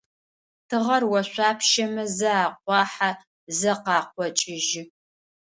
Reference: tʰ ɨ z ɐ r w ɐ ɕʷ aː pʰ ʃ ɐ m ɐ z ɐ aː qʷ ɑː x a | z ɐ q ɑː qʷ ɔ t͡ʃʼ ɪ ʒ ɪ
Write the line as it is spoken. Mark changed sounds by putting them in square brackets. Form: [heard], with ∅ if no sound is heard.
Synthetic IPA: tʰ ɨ [ʁ] ɐ r w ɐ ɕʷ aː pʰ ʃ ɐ m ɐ z ɐ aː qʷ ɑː [ħ] a | z ɐ q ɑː qʷ ɔ t͡ʃʼ ɪ ʒ ɪ